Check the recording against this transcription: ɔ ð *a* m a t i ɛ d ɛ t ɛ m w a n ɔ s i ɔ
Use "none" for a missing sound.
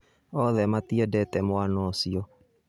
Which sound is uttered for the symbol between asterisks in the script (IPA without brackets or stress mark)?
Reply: ɛ